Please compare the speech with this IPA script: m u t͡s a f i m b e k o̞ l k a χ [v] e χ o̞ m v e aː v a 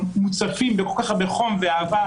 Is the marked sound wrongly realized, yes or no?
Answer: yes